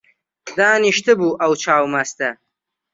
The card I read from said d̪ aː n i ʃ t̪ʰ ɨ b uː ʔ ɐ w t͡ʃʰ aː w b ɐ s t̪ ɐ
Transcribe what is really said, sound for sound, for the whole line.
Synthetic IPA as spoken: d̪ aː n i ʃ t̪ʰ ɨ b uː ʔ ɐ w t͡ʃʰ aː w m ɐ s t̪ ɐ